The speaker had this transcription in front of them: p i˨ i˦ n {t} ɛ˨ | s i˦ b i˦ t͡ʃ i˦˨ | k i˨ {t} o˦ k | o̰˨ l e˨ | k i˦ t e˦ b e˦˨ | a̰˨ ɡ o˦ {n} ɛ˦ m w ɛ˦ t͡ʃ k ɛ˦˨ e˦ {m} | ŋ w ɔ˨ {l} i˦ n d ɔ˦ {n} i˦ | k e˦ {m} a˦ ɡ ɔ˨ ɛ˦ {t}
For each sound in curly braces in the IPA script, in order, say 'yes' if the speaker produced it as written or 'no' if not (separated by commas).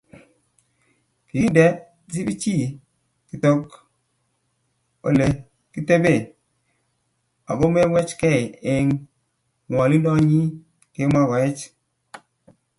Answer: no, yes, no, no, yes, no, yes, no